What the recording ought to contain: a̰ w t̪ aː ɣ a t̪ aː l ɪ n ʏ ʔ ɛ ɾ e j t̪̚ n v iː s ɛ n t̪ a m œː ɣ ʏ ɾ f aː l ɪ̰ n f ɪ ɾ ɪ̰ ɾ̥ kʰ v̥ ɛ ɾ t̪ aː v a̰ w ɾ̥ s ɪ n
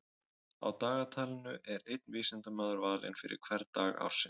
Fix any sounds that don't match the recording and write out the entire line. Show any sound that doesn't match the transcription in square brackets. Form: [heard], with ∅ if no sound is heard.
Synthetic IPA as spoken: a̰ w t̪ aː ɣ a [t̪ʰ] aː l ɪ n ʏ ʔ ɛ ɾ e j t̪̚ n v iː s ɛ n t̪ a m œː [ð] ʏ ɾ [v] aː l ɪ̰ n f ɪ ɾ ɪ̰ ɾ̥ kʰ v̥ ɛ ɾ t̪ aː [ɣ] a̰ w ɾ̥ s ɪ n